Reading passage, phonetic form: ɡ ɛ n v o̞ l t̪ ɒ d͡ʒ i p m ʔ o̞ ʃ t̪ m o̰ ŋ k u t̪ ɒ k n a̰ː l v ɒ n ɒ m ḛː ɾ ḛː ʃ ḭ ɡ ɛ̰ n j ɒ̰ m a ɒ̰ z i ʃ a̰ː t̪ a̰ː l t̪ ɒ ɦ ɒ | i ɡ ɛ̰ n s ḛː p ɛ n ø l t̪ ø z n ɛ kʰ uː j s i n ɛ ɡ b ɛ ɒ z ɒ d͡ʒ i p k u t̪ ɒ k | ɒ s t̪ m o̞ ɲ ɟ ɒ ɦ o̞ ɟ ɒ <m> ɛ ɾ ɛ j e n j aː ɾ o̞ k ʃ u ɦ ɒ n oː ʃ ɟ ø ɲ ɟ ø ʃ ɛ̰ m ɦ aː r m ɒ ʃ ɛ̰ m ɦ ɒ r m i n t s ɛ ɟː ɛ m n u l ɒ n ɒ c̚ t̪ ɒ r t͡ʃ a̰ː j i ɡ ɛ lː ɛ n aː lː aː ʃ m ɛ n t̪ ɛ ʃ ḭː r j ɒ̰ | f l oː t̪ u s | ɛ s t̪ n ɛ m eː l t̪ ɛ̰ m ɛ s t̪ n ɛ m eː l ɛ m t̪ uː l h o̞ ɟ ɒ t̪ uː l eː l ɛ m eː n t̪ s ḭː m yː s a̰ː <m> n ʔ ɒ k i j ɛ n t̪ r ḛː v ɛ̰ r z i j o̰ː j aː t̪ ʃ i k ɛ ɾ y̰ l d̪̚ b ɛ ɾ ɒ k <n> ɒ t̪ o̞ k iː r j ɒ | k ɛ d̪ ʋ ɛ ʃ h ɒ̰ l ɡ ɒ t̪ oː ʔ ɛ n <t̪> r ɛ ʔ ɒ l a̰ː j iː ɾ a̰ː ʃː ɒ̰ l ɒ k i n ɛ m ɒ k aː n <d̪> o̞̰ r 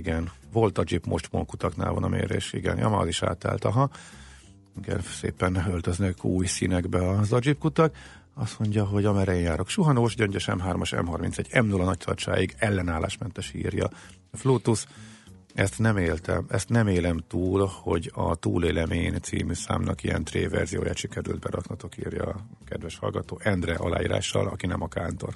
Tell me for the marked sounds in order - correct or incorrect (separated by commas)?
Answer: correct, correct, correct, incorrect, incorrect